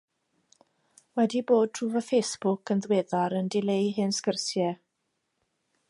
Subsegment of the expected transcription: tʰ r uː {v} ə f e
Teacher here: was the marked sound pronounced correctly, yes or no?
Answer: yes